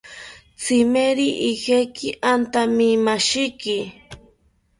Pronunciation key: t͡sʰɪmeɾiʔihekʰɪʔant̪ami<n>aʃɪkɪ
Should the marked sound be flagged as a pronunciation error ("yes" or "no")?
yes